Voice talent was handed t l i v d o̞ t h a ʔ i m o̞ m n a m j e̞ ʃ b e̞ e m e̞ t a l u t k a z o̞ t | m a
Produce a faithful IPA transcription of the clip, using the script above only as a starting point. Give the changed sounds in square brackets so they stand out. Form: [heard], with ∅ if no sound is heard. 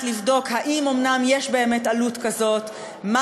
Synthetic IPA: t l i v d o̞ [k] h a ʔ i m o̞ m n a m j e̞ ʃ b e̞ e m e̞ t a l u t k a z o̞ t | m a